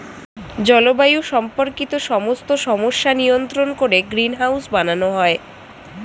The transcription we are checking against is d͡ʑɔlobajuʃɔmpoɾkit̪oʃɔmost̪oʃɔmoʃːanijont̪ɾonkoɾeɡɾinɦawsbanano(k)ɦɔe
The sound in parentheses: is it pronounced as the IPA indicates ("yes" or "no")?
no